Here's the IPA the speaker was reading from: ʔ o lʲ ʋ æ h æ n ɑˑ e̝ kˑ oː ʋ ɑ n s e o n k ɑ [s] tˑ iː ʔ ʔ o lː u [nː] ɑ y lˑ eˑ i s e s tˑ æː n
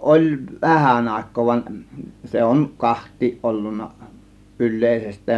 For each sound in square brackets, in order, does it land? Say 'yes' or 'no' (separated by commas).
no, yes